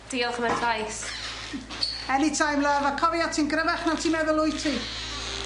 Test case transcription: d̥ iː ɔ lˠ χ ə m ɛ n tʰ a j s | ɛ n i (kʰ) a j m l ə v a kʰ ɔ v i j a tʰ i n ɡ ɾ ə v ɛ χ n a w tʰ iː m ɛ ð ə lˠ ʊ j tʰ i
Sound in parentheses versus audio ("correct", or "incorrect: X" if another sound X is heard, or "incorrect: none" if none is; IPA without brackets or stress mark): incorrect: tʰ